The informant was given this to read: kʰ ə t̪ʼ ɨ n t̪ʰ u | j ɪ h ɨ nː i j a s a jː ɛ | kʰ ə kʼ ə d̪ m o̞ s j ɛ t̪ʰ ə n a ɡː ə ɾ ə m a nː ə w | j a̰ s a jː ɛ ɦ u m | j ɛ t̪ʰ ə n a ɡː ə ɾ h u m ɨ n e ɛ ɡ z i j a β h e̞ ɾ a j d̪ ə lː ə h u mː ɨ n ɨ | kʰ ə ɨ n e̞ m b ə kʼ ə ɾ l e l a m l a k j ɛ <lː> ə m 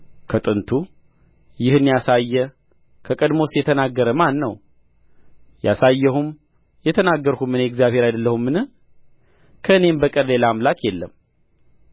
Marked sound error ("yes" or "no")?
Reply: no